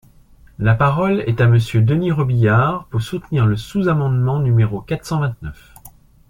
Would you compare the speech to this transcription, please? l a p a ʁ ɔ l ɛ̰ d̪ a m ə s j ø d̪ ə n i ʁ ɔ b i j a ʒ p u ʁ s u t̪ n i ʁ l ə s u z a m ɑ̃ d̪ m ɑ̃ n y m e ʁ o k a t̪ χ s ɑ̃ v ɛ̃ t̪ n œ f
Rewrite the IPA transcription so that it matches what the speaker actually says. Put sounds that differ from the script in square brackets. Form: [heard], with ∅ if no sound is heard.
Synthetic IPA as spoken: l a p a ʁ ɔ l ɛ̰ [t̪] a m ə s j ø d̪ ə n i ʁ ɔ b i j a [ʁ] p u ʁ s u t̪ n i ʁ l ə s u z a m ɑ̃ d̪ m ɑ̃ n y m e ʁ o k a t̪ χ s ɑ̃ v ɛ̃ t̪ n œ f

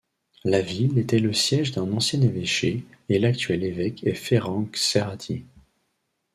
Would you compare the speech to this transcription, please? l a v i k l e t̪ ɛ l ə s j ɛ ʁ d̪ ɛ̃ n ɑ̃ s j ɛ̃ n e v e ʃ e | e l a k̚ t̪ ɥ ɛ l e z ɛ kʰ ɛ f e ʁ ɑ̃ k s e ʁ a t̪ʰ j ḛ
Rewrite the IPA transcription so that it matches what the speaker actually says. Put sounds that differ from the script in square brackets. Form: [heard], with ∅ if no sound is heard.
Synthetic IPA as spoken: l a v i [∅] l e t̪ ɛ l ə s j ɛ [ʒ] d̪ ɛ̃ n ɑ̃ s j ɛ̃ n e v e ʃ e | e l a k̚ t̪ ɥ ɛ l e [v] ɛ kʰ ɛ f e ʁ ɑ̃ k s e ʁ a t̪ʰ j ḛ

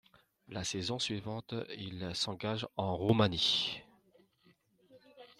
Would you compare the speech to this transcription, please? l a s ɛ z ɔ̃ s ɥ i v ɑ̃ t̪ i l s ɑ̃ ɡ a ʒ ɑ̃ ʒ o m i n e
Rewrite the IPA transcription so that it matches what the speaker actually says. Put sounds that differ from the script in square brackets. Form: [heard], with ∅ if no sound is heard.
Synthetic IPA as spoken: l a s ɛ z ɔ̃ s ɥ i v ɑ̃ t̪ i l s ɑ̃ ɡ a ʒ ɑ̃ [ʁ] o m [a] n [i]

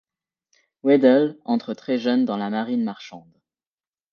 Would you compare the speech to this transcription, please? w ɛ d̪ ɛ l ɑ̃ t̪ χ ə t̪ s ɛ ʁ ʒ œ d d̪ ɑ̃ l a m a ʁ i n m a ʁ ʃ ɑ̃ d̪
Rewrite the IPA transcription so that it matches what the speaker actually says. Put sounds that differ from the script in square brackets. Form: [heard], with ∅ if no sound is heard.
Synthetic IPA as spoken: w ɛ d̪ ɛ l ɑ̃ t̪ χ ə t̪ [χ] ɛ [∅] ʒ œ [n] d̪ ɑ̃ l a m a ʁ i n m a ʁ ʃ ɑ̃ d̪

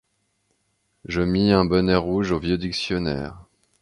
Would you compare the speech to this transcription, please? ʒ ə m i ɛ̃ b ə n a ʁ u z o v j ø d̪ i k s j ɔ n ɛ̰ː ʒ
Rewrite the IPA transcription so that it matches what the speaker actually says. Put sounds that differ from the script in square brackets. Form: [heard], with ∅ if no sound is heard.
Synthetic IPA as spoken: ʒ ə m i ɛ̃ b ə n [ɛ] ʁ u [ʒ] o v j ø d̪ i k s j ɔ n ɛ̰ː [ʁ]

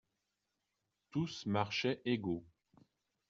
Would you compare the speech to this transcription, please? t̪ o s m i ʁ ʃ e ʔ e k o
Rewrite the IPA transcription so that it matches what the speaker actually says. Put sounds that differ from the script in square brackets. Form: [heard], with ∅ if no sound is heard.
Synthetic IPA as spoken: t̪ [u] s m [a] ʁ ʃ [ɛ] ʔ e [ɡ] o

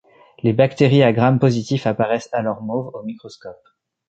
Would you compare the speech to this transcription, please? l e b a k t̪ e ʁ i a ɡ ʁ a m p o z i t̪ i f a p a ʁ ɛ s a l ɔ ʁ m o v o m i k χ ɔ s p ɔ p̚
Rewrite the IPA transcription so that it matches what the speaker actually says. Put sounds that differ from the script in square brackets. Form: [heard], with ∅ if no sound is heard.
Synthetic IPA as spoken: l e b a k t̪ e ʁ i a ɡ ʁ a m p o z i t̪ i f a p a ʁ ɛ s a l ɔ ʁ m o v o m i k χ ɔ s [k] ɔ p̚

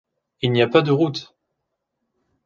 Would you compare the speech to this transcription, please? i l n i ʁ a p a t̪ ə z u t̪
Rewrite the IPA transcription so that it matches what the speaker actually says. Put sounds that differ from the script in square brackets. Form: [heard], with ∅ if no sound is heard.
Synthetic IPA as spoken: i l n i [∅] a p a [d̪] ə [ʁ] u t̪

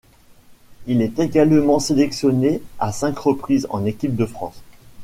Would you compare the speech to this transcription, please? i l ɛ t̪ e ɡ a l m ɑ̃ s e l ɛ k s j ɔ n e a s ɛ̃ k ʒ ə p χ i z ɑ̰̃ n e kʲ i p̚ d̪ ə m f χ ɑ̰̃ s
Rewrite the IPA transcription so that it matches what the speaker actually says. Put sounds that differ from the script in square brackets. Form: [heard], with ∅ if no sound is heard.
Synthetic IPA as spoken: i l ɛ t̪ e ɡ a l m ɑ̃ s e l ɛ k s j ɔ n e a s ɛ̃ k [ʁ] ə p χ i z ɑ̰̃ n e kʲ i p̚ d̪ ə [∅] f χ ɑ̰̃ s

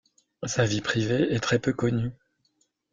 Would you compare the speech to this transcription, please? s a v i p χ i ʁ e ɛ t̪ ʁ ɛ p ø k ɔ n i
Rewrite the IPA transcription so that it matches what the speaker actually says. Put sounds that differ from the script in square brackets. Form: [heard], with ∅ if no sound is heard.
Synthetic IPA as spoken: s a v i p χ i [v] e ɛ t̪ [χ] ɛ p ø k ɔ n [y]

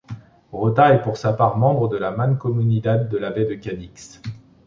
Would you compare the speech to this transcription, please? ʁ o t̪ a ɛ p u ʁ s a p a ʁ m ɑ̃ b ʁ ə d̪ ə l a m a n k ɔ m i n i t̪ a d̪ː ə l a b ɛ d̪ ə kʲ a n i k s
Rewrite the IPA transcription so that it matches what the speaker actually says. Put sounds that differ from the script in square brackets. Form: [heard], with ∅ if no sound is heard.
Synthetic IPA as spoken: ʁ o t̪ a ɛ p u ʁ s a p a ʁ m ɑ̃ b ʁ ə d̪ ə l a m a n k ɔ m [y] n i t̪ a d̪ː ə l a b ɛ d̪ ə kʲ a n i k s

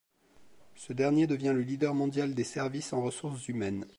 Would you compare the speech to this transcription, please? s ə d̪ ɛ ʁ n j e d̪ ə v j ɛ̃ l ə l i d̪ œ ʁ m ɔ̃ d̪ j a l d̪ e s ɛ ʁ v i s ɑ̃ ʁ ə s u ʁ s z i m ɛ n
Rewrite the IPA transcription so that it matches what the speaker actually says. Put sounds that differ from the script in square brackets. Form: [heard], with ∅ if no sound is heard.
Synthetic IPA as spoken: s ə d̪ ɛ ʁ n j e d̪ ə v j ɛ̃ l ə l i d̪ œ ʁ m ɔ̃ d̪ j a l d̪ e s ɛ ʁ v i s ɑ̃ ʁ ə s u ʁ s z [y] m ɛ n

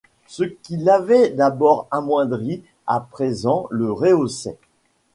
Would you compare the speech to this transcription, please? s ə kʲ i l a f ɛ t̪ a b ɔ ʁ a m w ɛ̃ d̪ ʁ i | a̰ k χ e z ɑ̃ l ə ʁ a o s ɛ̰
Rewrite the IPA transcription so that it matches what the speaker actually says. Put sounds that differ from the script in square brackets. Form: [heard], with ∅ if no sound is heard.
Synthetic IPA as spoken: s ə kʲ i l a [v] ɛ [d̪] a b ɔ ʁ a m w ɛ̃ d̪ ʁ i | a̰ [p] χ e z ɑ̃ l ə ʁ [e] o s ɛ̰

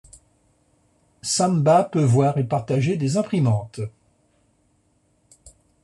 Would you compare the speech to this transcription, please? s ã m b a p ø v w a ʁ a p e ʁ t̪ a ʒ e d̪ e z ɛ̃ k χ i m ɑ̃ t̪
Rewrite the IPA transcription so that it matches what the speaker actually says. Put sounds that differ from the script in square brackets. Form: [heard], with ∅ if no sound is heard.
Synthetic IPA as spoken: s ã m b a p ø v w a ʁ [e] p [a] ʁ t̪ a ʒ e d̪ e z ɛ̃ [p] χ i m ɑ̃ t̪

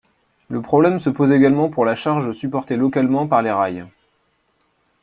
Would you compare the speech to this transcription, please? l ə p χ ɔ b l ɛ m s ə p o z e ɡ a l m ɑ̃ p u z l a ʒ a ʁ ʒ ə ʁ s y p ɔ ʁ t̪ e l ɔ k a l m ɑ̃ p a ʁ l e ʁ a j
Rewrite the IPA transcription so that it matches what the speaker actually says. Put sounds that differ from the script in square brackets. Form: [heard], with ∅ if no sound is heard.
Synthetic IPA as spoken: l ə p χ ɔ b l ɛ m s ə p o z e ɡ a l m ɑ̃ p u [ʁ] l a [ʃ] a ʁ ʒ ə [∅] s y p ɔ ʁ t̪ e l ɔ k a l m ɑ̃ p a ʁ l e ʁ a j

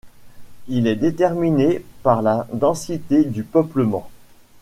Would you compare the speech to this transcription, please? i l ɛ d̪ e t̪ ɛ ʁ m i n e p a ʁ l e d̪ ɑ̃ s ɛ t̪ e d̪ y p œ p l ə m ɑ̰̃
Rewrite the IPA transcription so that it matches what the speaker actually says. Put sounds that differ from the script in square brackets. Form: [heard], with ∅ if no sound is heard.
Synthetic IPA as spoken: i l ɛ d̪ e t̪ ɛ ʁ m i n e p a ʁ l [a] d̪ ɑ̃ s [i] t̪ e d̪ y p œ p l ə m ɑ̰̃

